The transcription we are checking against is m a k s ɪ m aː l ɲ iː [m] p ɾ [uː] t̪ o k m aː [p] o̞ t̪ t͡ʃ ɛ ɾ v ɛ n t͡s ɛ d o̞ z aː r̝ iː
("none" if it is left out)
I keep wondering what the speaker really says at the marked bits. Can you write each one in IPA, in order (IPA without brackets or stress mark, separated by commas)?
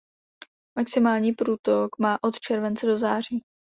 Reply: none, uː, ʔ